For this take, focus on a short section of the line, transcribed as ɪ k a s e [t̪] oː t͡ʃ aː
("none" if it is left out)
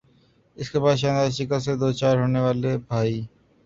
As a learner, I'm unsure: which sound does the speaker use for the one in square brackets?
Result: d̪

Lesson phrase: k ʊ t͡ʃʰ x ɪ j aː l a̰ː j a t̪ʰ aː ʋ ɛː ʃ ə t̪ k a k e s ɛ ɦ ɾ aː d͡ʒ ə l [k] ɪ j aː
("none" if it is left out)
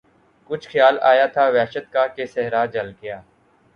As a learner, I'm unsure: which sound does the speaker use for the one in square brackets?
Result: ɡ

